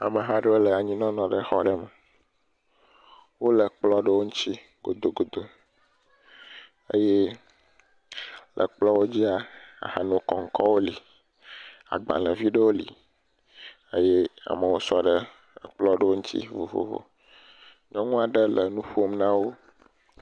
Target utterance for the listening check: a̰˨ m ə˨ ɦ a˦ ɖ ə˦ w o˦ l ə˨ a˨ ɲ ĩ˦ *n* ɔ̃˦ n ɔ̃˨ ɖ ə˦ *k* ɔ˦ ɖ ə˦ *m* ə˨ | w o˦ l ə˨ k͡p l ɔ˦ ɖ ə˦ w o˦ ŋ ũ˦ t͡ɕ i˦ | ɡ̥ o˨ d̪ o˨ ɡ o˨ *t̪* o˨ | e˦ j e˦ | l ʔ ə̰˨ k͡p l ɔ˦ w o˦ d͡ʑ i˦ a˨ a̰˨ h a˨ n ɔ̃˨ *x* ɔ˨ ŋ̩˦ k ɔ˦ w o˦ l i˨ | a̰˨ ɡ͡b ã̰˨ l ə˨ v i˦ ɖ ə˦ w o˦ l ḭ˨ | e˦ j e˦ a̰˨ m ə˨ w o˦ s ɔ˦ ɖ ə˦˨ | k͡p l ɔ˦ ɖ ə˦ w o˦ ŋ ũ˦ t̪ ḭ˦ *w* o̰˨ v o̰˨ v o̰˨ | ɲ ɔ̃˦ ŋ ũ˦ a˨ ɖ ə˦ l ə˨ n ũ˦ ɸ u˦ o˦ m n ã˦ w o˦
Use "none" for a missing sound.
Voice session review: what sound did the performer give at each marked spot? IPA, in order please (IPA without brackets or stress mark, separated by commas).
n, x, m, d̪, k, v